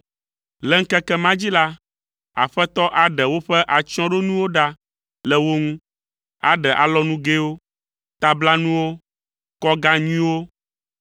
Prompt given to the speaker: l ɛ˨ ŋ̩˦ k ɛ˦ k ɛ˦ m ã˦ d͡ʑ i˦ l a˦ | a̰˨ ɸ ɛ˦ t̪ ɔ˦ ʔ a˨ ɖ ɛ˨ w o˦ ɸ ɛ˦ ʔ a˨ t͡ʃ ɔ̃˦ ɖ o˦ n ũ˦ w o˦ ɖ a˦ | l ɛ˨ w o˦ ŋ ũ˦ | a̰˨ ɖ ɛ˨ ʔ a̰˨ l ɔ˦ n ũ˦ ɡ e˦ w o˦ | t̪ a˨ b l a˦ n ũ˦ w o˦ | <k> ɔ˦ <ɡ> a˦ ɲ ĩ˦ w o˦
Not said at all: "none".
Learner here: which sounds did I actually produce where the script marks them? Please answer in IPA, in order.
k, ɡ

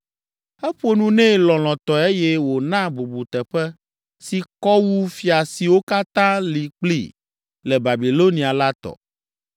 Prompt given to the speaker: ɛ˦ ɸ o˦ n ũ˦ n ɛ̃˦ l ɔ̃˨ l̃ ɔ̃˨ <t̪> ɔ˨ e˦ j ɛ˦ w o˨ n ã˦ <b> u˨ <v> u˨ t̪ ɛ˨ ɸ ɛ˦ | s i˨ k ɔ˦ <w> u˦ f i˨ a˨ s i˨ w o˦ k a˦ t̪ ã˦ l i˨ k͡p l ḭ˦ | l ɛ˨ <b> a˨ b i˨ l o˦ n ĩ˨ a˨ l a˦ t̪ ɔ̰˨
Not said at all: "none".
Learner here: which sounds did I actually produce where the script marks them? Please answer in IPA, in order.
t̪, b, b, w, b

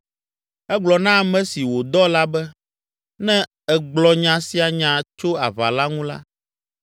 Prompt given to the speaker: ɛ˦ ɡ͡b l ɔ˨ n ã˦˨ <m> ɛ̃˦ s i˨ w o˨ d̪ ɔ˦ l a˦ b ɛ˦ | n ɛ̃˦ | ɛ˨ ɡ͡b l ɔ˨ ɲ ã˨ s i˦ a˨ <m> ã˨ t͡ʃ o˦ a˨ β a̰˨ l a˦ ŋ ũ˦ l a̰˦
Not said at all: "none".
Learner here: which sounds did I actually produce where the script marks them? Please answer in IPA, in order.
m, ɲ

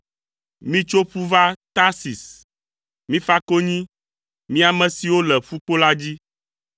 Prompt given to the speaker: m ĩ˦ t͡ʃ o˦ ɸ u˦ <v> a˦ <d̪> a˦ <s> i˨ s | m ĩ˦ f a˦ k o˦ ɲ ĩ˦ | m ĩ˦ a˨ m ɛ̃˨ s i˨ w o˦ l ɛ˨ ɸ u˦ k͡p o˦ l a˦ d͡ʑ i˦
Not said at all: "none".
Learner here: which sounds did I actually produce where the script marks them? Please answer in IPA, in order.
v, t̪, s

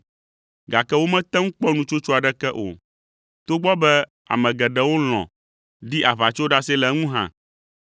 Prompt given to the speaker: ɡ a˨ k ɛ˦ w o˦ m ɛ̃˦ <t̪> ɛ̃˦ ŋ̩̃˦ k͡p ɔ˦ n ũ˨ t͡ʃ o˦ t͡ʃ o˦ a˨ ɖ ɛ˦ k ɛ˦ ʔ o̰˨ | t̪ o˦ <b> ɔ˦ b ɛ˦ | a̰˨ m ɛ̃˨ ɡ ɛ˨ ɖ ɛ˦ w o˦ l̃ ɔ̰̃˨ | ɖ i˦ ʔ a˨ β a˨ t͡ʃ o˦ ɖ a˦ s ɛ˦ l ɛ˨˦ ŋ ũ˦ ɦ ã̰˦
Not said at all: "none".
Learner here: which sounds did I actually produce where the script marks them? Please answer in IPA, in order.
t̪, ɡ͡b

